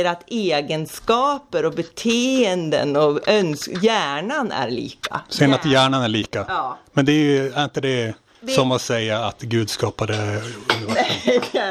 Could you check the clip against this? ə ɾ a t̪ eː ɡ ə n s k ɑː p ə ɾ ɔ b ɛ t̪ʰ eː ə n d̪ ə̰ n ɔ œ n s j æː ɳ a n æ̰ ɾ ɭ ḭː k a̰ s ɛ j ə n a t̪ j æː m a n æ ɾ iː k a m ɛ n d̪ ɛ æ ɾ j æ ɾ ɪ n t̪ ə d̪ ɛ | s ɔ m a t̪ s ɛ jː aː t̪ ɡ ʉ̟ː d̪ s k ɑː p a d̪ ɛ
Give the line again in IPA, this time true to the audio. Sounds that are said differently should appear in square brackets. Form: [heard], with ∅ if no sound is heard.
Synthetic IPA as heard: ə ɾ a t̪ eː ɡ ə n s k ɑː p ə ɾ ɔ b ɛ t̪ʰ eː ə n d̪ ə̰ n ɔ œ n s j æː ɳ a n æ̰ ɾ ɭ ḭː k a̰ s ɛ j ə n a t̪ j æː [ɳ] a n æ [ɭ] iː k a m ɛ n d̪ ɛ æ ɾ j æ ɾ ɪ n t̪ ə d̪ ɛ | s ɔ m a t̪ s ɛ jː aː t̪ ɡ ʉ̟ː d̪ s k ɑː p a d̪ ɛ